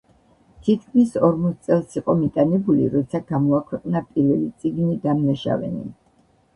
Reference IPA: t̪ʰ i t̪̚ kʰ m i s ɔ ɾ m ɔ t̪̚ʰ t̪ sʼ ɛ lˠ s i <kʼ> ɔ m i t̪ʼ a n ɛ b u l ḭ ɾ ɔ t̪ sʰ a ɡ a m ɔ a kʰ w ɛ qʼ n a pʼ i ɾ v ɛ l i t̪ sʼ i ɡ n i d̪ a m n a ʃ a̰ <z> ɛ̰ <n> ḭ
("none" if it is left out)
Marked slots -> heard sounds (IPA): qʼ, v, n

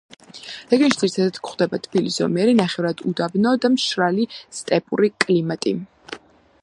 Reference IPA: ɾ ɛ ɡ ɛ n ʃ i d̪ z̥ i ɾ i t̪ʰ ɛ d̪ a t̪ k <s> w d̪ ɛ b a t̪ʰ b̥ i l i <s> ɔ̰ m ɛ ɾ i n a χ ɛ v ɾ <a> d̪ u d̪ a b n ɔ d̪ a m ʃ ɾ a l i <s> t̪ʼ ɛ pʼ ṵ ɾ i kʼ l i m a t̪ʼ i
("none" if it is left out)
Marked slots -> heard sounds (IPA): χ, s, a, s

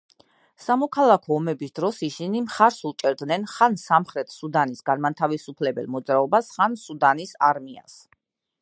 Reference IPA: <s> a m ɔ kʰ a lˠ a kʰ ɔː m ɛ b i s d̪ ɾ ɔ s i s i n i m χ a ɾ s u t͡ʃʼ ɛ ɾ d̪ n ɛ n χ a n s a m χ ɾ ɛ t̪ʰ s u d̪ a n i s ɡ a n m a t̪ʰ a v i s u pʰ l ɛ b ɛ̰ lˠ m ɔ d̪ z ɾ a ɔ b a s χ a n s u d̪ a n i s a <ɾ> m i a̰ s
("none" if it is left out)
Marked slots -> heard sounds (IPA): s, ɾ

